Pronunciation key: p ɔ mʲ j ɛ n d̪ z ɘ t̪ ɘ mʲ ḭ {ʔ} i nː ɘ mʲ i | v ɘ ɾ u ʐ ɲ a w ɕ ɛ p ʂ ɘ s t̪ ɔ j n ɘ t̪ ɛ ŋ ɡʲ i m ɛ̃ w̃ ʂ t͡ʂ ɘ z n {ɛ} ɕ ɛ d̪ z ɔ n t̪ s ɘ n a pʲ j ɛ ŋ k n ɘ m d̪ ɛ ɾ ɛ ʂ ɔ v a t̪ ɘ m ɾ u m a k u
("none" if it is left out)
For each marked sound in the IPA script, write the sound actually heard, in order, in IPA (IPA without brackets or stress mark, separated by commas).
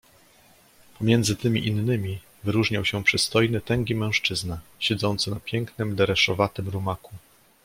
ʔ, a